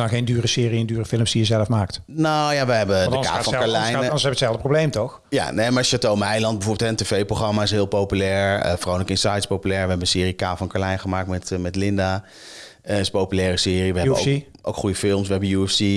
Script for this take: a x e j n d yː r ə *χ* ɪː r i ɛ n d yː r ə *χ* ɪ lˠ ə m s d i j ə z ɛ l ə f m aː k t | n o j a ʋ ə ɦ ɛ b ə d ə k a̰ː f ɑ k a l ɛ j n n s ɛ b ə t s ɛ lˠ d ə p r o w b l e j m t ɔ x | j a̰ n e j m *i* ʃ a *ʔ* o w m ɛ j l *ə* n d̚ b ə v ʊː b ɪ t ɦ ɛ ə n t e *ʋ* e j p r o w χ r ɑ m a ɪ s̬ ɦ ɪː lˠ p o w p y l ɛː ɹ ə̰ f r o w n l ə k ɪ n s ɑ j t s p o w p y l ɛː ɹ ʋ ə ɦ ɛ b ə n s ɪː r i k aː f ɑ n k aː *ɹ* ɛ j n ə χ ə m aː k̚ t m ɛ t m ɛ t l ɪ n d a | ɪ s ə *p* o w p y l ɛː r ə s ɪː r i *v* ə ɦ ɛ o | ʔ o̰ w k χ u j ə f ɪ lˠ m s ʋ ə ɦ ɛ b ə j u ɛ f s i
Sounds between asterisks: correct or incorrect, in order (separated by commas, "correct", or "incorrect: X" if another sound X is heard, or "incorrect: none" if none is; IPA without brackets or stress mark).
incorrect: s, incorrect: f, incorrect: a, incorrect: t, incorrect: ɑ, incorrect: v, incorrect: l, correct, incorrect: ʋ